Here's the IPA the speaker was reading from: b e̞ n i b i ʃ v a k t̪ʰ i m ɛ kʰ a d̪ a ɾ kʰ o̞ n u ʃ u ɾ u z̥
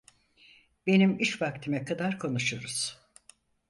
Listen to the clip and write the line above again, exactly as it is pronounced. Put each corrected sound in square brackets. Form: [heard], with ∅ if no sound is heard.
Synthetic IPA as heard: b e̞ n i [m] i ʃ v a k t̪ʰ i m ɛ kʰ a d̪ a ɾ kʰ o̞ n u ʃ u ɾ u z̥